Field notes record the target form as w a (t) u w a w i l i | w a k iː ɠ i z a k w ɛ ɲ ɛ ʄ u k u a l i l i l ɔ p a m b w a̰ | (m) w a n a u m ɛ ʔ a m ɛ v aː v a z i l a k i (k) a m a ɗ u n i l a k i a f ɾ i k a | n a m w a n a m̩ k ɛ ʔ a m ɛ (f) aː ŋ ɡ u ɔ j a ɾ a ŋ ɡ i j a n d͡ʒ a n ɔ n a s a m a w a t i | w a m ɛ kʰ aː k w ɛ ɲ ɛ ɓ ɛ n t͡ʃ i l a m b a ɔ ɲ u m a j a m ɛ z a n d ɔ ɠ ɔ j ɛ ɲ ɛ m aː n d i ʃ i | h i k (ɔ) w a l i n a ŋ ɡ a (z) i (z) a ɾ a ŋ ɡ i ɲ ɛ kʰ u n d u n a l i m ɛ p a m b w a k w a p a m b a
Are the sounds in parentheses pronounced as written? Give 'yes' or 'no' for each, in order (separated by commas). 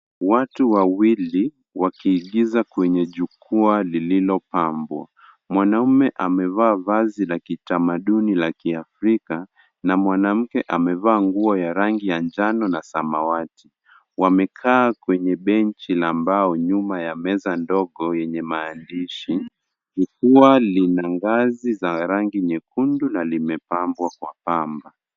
yes, yes, no, no, no, yes, yes